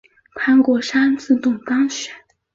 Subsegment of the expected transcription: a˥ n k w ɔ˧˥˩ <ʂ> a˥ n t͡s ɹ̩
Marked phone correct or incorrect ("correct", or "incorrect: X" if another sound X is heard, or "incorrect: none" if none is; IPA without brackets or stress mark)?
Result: correct